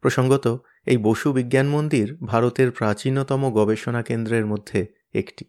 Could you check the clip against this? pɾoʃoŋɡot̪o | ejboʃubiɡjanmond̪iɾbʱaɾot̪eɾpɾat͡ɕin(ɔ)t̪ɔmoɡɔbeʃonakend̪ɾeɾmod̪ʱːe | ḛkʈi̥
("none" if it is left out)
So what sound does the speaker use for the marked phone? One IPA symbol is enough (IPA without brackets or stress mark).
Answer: o